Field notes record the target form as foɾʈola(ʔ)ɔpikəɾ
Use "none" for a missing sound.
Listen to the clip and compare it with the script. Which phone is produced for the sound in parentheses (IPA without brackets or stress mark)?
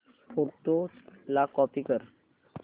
k